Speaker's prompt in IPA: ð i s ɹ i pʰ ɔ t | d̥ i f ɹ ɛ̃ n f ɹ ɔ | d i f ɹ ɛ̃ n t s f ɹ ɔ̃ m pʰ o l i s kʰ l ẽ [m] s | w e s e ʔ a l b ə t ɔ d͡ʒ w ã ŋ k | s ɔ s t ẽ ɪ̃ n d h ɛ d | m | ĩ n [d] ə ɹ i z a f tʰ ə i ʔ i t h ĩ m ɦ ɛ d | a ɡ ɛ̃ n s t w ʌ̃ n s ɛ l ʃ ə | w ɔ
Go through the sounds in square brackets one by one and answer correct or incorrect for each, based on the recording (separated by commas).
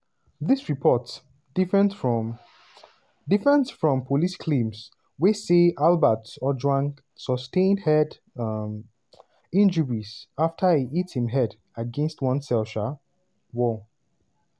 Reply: correct, incorrect